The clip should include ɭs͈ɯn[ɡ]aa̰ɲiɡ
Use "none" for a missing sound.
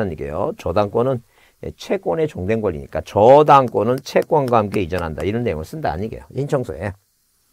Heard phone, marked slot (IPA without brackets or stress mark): d